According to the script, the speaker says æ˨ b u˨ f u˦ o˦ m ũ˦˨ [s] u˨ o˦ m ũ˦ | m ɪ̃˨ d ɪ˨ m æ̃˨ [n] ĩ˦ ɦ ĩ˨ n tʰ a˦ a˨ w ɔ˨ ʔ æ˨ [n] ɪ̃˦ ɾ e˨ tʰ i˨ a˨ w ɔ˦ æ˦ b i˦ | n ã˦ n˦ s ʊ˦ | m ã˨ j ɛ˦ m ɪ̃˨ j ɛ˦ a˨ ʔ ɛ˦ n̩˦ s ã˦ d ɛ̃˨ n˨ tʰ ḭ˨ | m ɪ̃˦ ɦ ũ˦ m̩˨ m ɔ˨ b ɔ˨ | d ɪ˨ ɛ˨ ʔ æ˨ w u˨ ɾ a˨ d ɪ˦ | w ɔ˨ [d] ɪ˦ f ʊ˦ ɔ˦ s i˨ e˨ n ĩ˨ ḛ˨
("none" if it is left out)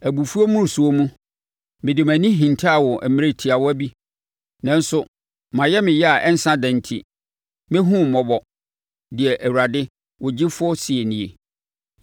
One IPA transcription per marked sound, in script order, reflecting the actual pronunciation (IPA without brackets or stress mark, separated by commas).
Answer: s, n, m, d͡ʑ